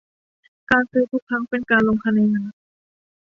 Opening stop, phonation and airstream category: plain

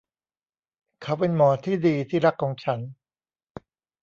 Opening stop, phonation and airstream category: aspirated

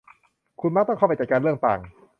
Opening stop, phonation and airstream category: aspirated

